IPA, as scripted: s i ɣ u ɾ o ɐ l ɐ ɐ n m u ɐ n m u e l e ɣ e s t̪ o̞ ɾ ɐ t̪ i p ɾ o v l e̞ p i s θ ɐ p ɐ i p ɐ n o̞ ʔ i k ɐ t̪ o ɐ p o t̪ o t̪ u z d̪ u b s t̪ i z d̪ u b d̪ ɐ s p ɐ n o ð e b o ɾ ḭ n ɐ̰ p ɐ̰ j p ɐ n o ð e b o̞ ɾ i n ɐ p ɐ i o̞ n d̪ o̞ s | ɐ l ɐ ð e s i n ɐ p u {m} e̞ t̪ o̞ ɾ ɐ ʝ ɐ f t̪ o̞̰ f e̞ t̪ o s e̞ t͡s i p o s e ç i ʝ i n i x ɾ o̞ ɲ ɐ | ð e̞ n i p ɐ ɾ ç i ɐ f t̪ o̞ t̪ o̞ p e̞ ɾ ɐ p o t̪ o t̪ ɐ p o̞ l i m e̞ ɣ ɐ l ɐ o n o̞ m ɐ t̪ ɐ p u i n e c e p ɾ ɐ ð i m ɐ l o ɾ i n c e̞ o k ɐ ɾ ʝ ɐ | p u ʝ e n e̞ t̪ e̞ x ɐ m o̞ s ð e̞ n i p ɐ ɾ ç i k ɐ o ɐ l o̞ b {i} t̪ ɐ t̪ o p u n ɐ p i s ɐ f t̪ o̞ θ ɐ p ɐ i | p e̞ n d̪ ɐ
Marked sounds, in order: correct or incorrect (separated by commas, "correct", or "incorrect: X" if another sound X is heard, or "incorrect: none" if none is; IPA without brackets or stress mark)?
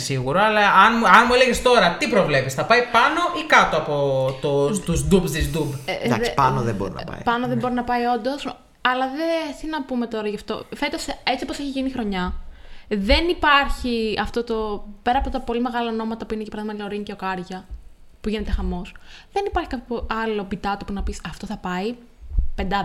correct, correct